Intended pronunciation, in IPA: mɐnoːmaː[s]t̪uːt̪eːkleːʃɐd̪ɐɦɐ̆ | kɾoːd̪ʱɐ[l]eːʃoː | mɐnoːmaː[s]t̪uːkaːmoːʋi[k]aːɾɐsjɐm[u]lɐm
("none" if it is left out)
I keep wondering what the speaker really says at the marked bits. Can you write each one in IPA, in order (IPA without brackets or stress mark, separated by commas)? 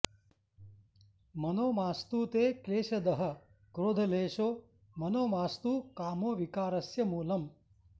s, l, s, k, uː